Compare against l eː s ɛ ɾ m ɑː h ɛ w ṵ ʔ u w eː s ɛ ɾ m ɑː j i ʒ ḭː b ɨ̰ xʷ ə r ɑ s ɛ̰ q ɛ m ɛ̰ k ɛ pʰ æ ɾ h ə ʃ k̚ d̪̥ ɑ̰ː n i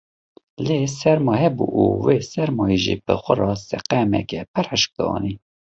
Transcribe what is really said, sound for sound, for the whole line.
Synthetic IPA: l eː s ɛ ɾ m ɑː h ɛ b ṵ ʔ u w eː s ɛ ɾ m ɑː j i ʒ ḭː b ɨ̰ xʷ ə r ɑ s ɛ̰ q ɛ m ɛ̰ k ɛ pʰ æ ɾ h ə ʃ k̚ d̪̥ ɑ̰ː n i